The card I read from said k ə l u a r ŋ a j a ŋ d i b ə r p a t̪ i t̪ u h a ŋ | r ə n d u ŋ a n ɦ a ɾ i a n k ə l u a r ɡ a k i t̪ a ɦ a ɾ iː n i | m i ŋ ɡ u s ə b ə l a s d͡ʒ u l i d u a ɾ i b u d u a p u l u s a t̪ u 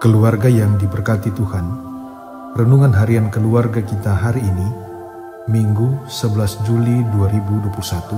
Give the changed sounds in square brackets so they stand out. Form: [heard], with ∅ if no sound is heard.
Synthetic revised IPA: k ə l u a r [ɡ] a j a ŋ d i b ə r [k] a t̪ i t̪ u h a [n] | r ə n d u ŋ a n ɦ a ɾ i a n k ə l u a r ɡ a k i t̪ a ɦ a ɾ iː n i | m i ŋ ɡ u s ə b ə l a s d͡ʒ u l i d u a ɾ i b u d u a p u l u s a t̪ u